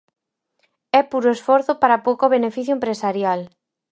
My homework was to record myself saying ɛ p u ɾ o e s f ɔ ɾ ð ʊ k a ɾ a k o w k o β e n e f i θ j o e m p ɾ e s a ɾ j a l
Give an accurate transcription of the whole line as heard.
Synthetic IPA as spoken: ɛ p u ɾ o e s f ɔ ɾ θ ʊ p a ɾ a p o w k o β e n e f i θ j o e m p ɾ e s a ɾ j a l